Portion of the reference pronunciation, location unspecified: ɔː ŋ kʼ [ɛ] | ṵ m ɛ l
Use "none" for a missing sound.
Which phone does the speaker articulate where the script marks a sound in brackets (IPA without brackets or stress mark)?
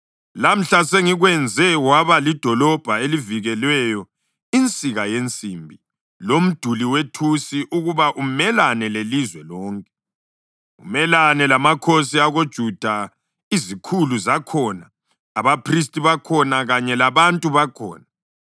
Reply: ɛ